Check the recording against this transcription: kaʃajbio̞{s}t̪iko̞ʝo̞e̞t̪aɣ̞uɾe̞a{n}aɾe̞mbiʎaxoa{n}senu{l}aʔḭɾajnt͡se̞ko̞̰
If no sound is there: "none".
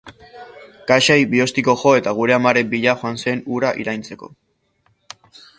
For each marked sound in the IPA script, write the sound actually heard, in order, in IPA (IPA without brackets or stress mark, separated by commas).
s, m, n, ɾ